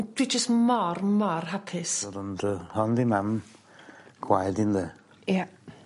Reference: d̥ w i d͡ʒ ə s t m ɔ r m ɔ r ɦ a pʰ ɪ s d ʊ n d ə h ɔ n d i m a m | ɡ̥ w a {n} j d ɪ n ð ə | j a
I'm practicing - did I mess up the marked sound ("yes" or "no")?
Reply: yes